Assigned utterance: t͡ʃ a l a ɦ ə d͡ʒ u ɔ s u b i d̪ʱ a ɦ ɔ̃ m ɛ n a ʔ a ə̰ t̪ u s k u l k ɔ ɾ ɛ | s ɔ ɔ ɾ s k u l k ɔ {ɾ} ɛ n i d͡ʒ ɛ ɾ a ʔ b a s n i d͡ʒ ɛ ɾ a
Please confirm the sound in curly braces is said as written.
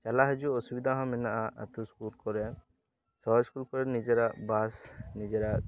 yes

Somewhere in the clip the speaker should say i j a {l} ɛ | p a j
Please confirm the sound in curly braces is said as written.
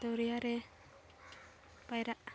no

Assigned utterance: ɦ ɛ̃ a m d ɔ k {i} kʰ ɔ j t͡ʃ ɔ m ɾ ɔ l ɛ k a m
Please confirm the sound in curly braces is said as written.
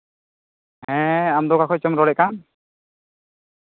no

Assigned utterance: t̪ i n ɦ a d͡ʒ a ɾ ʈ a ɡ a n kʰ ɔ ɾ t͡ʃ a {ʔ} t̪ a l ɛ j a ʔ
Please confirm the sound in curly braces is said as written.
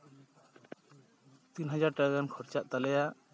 yes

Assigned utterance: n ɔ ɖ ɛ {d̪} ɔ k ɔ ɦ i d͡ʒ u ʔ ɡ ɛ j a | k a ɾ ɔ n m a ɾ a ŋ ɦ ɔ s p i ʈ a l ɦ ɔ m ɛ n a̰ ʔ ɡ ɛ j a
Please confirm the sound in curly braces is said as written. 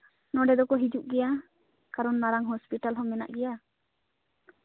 yes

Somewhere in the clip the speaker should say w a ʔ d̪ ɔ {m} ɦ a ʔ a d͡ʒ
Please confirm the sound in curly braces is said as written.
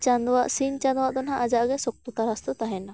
no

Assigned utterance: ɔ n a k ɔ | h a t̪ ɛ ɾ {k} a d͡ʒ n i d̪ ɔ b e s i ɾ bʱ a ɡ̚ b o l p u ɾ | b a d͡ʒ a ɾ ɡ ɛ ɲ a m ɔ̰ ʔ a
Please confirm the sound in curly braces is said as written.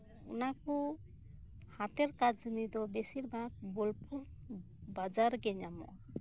yes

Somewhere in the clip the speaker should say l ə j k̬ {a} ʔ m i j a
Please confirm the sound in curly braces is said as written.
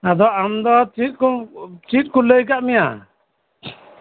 yes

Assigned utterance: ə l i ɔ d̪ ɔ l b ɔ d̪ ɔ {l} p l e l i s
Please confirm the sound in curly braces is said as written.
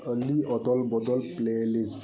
yes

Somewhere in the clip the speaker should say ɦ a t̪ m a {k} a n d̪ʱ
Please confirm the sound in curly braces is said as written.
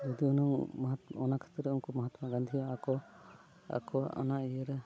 no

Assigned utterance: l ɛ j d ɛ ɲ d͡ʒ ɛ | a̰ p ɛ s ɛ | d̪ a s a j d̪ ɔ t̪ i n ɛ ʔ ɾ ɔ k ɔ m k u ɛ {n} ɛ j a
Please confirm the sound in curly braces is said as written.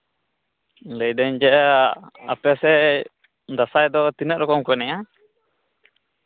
yes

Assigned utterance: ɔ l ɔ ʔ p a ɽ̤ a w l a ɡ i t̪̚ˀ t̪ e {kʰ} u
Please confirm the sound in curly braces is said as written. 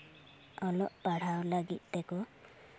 no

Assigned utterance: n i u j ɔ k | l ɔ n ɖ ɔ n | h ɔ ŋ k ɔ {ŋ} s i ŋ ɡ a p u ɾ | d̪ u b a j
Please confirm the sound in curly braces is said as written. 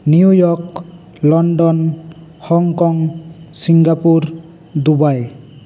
yes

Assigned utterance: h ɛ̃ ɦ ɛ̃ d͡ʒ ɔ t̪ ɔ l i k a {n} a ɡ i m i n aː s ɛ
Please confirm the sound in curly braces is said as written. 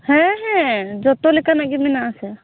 yes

